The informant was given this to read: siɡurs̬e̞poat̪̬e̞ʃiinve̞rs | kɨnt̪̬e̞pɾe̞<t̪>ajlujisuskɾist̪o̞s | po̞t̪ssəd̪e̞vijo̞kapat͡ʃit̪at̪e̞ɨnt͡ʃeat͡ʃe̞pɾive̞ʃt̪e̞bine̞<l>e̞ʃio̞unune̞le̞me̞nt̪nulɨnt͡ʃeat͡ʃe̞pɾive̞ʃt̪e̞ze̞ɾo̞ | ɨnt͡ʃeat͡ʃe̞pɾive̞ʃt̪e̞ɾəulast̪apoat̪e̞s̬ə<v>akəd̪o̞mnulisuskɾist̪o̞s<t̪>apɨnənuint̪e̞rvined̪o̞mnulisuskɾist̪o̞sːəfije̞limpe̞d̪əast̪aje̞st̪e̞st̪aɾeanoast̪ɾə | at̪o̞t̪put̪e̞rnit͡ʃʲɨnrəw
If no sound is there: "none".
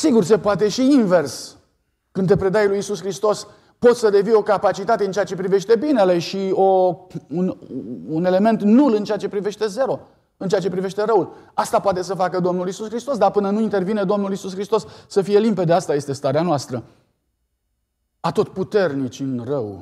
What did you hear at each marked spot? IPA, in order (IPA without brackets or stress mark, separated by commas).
d̪, l, f, d̪